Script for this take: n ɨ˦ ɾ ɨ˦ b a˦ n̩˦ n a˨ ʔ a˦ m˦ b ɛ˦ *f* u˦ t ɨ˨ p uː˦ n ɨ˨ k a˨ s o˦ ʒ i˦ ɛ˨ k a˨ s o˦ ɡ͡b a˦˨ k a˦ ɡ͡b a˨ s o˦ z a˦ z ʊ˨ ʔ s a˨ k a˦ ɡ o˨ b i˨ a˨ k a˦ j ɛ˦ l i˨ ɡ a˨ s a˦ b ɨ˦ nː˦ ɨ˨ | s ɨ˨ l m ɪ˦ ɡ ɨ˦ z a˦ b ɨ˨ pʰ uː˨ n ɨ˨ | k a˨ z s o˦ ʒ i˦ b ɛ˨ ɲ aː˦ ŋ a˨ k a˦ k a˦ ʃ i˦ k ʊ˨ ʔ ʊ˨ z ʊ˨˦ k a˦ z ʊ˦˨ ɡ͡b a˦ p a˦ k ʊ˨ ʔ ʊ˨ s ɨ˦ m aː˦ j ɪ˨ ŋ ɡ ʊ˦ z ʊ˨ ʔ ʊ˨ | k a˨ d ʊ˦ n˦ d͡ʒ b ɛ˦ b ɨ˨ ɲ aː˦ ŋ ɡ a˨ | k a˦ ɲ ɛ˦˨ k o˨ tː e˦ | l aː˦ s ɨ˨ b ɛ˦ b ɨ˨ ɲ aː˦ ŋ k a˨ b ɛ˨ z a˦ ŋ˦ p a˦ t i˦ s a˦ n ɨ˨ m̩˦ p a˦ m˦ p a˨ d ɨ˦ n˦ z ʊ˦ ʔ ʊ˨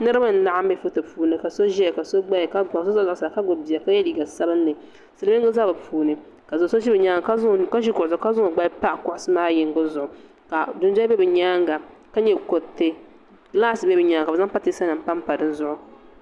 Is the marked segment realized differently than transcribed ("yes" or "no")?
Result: no